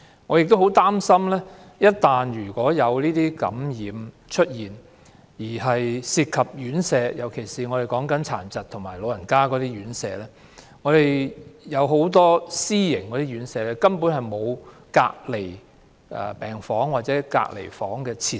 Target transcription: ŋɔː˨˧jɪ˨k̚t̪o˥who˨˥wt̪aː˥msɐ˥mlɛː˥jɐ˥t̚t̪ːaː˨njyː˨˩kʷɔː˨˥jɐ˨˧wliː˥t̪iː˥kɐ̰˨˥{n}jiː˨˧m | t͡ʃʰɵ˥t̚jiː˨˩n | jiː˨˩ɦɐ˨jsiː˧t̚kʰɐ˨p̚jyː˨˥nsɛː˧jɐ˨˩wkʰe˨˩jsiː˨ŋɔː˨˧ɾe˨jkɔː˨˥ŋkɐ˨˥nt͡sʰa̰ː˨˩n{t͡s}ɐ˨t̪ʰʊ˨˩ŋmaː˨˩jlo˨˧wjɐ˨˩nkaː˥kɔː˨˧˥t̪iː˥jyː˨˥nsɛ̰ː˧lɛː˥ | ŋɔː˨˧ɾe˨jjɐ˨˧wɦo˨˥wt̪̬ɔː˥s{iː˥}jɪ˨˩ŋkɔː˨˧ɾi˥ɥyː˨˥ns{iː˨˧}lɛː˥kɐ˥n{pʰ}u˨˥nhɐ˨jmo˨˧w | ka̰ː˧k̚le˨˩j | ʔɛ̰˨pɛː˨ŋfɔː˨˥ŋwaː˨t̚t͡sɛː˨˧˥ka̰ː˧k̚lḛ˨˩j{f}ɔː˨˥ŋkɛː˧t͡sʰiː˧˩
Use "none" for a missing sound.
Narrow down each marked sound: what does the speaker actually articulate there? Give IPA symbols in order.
m, t͡s, iː˥, ɛː˨˧, p, f

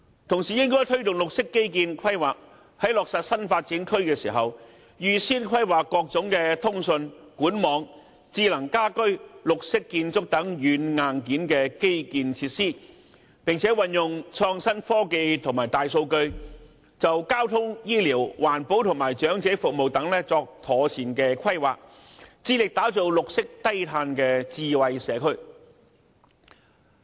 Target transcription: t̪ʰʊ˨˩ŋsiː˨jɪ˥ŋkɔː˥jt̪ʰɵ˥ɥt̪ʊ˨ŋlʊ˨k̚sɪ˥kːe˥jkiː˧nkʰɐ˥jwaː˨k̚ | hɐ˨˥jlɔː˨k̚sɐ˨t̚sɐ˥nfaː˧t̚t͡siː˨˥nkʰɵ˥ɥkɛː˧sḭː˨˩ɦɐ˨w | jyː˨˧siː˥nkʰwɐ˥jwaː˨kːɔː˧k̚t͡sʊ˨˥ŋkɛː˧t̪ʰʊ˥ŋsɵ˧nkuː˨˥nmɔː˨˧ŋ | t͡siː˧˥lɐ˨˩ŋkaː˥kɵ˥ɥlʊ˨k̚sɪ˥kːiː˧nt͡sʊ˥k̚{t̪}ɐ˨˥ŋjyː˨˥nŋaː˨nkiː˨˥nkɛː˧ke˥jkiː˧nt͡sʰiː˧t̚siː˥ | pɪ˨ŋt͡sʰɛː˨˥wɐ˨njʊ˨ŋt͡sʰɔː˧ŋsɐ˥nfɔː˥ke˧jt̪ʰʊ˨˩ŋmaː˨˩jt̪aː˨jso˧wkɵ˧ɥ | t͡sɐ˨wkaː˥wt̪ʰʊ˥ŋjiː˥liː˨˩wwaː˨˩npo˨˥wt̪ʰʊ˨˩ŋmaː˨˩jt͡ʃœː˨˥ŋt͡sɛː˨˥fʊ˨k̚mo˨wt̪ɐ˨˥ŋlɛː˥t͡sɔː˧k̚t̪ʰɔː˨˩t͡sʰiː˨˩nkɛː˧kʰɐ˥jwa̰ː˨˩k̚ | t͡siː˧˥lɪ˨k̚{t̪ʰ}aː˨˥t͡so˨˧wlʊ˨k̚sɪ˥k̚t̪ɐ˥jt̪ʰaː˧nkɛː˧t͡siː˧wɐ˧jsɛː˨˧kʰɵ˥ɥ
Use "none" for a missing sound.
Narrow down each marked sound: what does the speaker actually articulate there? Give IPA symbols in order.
t̪, t̪

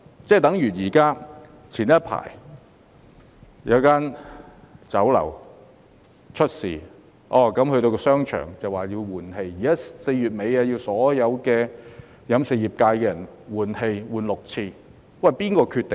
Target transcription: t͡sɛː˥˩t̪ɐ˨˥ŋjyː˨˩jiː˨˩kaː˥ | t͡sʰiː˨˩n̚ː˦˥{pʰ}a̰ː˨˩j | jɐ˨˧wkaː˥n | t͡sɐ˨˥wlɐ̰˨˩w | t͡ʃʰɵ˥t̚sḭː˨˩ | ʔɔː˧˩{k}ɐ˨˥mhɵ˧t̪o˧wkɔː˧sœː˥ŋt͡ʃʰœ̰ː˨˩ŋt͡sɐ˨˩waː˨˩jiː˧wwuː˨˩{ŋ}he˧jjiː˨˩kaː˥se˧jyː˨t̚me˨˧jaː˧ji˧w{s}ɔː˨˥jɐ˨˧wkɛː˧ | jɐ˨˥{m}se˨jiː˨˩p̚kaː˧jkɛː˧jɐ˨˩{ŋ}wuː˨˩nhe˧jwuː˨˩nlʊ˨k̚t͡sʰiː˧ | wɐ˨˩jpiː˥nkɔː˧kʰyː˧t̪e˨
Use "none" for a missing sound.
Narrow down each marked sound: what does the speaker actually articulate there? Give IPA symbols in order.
pʰ, k, n, s, m, n

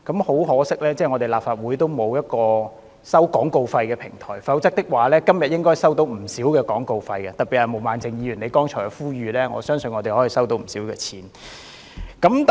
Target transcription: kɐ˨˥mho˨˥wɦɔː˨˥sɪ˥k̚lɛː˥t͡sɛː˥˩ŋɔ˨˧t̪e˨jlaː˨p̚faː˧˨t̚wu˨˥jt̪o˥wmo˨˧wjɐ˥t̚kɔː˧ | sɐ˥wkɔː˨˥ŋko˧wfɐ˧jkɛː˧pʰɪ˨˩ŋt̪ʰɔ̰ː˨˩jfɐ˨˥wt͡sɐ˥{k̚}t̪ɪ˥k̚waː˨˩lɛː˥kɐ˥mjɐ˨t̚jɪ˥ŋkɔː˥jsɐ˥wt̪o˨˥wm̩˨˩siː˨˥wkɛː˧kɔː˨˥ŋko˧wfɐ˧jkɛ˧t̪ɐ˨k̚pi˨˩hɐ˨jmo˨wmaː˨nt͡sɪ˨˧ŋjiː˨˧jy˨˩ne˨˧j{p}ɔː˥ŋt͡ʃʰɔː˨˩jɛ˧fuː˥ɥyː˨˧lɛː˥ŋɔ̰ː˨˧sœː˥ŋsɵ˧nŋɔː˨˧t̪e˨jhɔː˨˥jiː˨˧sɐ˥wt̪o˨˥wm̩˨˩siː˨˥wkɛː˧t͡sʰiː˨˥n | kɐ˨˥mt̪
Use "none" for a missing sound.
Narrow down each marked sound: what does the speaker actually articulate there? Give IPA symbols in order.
k̚, k

